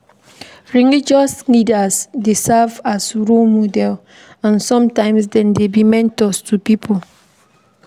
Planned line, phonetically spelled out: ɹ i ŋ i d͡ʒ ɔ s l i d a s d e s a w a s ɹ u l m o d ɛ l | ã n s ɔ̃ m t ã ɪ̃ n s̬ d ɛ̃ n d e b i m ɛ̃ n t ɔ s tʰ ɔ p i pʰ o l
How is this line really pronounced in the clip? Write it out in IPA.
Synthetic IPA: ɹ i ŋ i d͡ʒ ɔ s l i d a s d e s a v a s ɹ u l m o d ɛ l | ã n s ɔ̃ m t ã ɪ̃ m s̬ d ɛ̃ n d e b i m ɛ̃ n t ɔ s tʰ u p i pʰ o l